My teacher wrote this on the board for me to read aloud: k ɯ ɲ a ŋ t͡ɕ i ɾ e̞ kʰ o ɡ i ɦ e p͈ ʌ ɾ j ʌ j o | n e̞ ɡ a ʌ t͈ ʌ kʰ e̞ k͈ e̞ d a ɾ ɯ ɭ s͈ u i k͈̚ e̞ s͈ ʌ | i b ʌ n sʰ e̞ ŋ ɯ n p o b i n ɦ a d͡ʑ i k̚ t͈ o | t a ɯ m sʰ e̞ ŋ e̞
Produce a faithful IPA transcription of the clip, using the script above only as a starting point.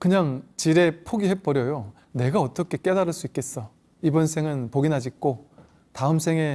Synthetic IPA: k ɯ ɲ a ŋ t͡ɕ i ɾ e̞ pʰ o ɡ i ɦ e p͈ ʌ ɾ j ʌ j o | n e̞ ɡ a ʌ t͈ ʌ kʰ e̞ k͈ e̞ d a ɾ ɯ ɭ s͈ u i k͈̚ e̞ s͈ ʌ | i b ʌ n sʰ e̞ ŋ ɯ n p o ɡ i n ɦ a d͡ʑ i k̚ k͈ o | t a ɯ m sʰ e̞ ŋ e̞

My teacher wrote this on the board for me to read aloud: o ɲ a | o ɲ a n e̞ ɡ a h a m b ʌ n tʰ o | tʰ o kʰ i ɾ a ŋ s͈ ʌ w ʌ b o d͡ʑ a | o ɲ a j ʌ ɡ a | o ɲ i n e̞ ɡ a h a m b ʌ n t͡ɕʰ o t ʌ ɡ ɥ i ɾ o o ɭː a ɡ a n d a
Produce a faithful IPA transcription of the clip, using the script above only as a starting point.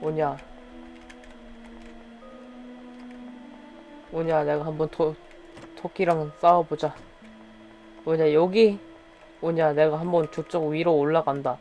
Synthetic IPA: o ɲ a | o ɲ a n e̞ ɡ a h a m b ʌ n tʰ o | tʰ o kʰ i ɾ a ŋ s͈ a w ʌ b o d͡ʑ a | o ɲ a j ʌ ɡ i | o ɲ a n e̞ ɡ a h a m b ʌ n t͡ɕ o t͡ɕ͈ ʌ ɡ ɥ i ɾ o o ɭː a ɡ a n d a

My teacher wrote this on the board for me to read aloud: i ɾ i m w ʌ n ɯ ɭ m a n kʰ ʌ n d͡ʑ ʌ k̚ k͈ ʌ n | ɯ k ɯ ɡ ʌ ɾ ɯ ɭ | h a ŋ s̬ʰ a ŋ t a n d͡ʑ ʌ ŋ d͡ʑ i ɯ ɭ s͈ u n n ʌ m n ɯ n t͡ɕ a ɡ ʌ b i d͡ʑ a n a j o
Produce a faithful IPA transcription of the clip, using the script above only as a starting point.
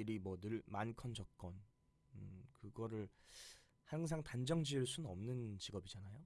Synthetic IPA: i ɾ i m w ʌ n ɯ ɭ m a n kʰ ʌ n d͡ʑ ʌ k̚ k͈ ʌ n | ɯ k ɯ ɡ ʌ ɾ ɯ ɭ | h a ŋ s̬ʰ a ŋ t a n d͡ʑ ʌ ŋ d͡ʑ i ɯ ɭ s͈ u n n ʌ m n ɯ n t͡ɕ i ɡ ʌ b i d͡ʑ a n a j o

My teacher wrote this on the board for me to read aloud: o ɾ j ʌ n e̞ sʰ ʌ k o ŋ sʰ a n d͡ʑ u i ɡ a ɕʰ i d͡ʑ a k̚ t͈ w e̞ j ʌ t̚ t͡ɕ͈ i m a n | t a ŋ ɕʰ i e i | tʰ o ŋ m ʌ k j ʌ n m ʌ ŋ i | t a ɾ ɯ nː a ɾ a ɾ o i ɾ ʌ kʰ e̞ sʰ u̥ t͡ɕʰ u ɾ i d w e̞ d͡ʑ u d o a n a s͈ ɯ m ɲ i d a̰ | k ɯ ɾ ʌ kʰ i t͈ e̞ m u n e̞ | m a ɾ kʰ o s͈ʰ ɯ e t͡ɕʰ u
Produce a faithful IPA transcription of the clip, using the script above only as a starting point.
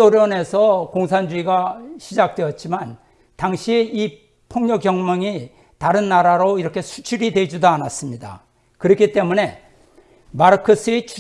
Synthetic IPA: o ɾ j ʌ n e̞ sʰ ʌ k o ŋ sʰ a n d͡ʑ u i ɡ a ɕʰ i d͡ʑ a k̚ t͈ w e̞ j ʌ t̚ t͡ɕ͈ i m a n | t a ŋ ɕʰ i e i | pʰ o ŋ ɲ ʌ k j ʌ ŋ m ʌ ŋ i | t a ɾ ɯ nː a ɾ a ɾ o i ɾ ʌ kʰ e̞ sʰ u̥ t͡ɕʰ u ɾ i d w e̞ d͡ʑ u d o a n a s͈ ɯ m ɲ i d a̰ | k ɯ ɾ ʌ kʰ i t͈ e̞ m u n e̞ | m a ɾ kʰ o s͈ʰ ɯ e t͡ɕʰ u

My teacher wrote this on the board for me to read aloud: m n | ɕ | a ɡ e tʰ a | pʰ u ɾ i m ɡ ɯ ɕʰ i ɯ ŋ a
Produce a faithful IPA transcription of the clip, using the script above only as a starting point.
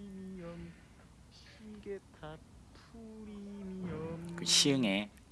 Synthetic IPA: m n | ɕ | i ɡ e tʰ a | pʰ u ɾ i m k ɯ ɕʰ i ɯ ŋ e

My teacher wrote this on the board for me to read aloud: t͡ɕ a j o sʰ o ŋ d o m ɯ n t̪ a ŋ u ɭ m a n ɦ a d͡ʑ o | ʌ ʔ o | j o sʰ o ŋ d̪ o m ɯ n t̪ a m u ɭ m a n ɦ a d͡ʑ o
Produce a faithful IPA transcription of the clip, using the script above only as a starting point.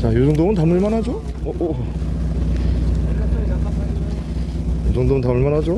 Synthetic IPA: t͡ɕ a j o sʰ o ŋ d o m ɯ n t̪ a m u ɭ m a n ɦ a d͡ʑ o | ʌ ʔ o | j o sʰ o ŋ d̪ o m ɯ n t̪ a m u ɭ m a n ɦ a d͡ʑ o

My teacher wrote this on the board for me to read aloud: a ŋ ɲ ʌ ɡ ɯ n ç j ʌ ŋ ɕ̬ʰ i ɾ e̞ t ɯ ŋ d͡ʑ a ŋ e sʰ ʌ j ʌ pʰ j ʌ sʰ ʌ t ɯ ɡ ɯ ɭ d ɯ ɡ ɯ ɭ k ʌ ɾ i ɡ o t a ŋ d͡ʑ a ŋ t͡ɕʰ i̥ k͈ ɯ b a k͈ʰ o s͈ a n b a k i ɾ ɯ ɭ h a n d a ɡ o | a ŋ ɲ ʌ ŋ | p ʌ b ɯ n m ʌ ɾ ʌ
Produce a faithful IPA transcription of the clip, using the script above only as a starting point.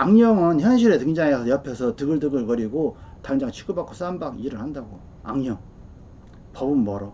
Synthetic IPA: a ŋ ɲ ʌ ŋ ɯ n ç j ʌ n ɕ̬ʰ i ɾ e̞ t ɯ ŋ d͡ʑ a ŋ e sʰ ʌ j ʌ pʰ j ʌ sʰ ʌ t ɯ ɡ ɯ ɭ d ɯ ɡ ɯ ɭ k ʌ ɾ i ɡ o t a ŋ d͡ʑ a ŋ t͡ɕʰ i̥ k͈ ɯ b a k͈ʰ o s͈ a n b a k i ɾ ɯ ɭ h a n d a ɡ o | a ŋ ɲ ʌ ŋ | p ʌ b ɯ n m ʌ ɾ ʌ

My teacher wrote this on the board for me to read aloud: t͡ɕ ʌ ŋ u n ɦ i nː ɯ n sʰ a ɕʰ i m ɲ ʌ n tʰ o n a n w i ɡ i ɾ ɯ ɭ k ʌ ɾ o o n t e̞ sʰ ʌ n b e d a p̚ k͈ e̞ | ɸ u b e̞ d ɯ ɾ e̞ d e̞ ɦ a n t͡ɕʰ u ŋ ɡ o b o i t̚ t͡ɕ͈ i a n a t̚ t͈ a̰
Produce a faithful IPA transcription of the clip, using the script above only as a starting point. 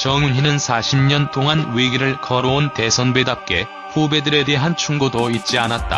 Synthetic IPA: t͡ɕ ʌ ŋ u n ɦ i n ɯ n sʰ a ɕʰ i m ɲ ʌ n tʰ o ŋ a n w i ɡ i ɾ ɯ ɭ k ʌ ɾ o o n t e̞ sʰ ʌ n b e d a p̚ k͈ e̞ | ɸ u b e̞ d ɯ ɾ e̞ d e̞ ɦ a n t͡ɕʰ u ŋ ɡ o d o i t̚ t͡ɕ͈ i a n a t̚ t͈ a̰

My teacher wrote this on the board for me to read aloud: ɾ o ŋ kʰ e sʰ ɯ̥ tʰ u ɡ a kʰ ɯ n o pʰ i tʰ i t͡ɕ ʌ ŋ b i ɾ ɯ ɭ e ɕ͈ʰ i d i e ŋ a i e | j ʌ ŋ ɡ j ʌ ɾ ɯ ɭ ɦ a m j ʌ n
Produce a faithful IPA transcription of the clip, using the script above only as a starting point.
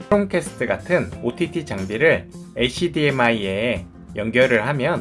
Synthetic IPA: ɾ o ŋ kʰ e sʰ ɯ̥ tʰ ɯ ɡ a tʰ ɯ n o tʰ i tʰ i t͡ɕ a ŋ b i ɾ ɯ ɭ e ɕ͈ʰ i d i e m a i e | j ʌ ŋ ɡ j ʌ ɾ ɯ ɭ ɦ a m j ʌ n

